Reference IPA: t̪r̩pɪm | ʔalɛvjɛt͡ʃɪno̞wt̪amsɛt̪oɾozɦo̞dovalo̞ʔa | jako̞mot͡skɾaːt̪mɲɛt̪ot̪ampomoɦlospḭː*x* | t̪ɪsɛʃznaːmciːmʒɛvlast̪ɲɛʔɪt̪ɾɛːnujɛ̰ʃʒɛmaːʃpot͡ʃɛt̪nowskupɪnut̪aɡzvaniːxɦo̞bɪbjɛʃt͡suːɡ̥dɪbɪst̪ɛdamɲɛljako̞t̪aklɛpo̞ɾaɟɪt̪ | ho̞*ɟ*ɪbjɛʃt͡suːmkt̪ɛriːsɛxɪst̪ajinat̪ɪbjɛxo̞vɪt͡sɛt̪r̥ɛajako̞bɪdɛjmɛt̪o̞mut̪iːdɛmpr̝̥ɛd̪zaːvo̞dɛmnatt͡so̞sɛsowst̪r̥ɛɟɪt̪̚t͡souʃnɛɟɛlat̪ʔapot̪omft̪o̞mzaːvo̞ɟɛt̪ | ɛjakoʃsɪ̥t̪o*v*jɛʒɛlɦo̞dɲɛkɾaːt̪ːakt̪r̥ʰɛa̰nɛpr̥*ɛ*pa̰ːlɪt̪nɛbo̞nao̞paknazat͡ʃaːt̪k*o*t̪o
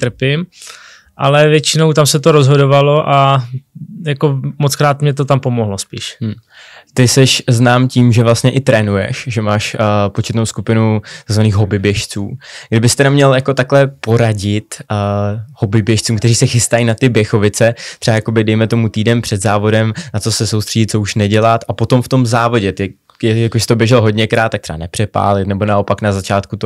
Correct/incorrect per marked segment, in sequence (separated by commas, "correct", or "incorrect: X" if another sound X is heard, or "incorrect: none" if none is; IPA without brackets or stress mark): incorrect: ʃ, incorrect: b, incorrect: b, correct, incorrect: u